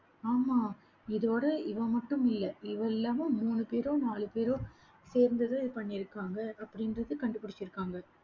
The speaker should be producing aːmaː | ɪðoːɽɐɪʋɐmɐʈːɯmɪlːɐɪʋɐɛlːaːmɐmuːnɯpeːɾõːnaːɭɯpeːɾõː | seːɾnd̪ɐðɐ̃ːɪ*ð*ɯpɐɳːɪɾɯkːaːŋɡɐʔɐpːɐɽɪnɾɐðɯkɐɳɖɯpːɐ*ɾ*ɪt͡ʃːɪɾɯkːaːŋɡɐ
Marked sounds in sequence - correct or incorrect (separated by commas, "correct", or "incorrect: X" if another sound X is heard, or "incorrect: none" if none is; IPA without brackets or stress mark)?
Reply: correct, incorrect: ɽ